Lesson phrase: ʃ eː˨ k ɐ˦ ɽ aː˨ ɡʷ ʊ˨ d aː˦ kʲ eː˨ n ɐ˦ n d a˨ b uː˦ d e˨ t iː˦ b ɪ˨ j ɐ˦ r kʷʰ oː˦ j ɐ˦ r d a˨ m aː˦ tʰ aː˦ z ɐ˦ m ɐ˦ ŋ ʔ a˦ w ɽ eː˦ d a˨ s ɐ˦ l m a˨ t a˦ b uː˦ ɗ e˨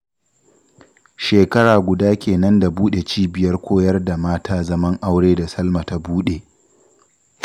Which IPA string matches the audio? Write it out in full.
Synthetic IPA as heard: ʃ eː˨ k ɐ˦ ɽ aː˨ ɡʷ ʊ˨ d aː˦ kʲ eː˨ n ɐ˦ n d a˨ b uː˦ ɗ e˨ t͡ʃ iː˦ b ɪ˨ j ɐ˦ r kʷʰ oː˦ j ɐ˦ r d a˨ m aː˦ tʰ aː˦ z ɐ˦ m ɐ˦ ŋ ʔ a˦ w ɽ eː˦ d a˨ s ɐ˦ l m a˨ t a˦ b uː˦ ɗ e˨